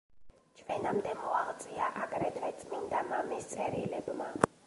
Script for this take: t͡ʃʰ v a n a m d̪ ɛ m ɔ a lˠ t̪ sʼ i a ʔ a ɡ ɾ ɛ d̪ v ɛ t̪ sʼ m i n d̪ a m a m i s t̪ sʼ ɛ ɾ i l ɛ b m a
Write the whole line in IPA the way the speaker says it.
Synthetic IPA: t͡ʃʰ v ɛ n a m d̪ ɛ m ɔ a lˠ t̪ sʼ i a ʔ a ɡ ɾ ɛ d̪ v ɛ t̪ sʼ m i n d̪ a m a m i s t̪ sʼ ɛ ɾ i l ɛ b m a